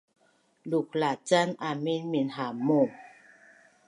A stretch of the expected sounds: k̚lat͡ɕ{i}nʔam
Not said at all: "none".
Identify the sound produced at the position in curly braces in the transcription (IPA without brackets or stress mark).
a